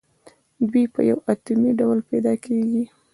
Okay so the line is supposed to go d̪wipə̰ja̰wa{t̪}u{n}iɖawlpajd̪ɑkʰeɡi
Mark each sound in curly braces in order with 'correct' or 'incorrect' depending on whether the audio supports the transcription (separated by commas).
correct, incorrect